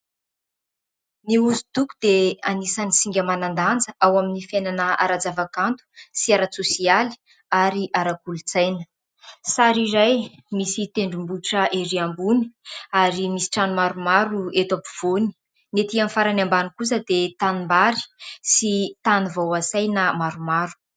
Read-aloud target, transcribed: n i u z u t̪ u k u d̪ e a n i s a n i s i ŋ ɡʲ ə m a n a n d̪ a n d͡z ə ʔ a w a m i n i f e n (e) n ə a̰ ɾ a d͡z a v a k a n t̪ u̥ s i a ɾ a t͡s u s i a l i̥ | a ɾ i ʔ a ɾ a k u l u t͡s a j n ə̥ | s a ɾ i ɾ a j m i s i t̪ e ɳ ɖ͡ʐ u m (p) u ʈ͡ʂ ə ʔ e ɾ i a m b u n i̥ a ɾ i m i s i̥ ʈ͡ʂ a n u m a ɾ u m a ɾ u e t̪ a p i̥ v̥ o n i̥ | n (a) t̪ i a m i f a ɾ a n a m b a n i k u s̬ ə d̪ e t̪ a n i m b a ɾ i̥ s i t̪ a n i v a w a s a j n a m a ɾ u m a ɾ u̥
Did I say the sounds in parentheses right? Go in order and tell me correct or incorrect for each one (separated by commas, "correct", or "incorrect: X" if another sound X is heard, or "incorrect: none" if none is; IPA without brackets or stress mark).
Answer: incorrect: a, incorrect: b, incorrect: e